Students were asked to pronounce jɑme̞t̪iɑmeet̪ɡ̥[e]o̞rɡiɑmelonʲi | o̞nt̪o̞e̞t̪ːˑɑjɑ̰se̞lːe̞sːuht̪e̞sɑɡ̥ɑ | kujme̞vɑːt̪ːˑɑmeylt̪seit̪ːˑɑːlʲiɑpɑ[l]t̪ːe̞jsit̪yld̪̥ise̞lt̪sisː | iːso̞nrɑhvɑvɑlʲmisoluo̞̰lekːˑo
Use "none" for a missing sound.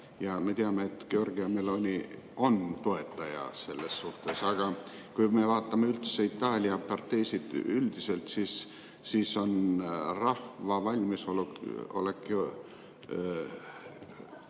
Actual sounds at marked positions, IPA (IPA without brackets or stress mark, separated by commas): e, r